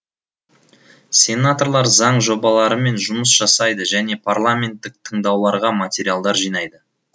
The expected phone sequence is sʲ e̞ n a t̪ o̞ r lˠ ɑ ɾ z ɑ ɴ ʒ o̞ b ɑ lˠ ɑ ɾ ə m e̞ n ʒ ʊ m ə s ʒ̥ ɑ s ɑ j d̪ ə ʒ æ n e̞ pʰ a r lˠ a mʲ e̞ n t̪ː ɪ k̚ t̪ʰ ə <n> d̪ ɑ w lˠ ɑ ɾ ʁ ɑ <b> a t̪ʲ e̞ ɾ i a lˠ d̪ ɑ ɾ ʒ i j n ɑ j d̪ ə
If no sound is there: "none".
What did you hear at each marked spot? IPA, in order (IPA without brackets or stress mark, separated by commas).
ɴ, m